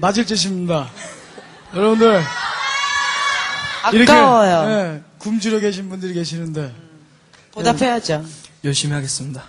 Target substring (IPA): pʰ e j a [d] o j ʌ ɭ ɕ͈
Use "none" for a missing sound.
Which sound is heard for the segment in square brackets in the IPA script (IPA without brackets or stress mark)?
d͡ʑ